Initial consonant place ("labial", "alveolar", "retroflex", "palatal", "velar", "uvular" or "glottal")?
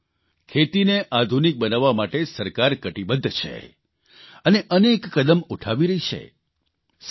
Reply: velar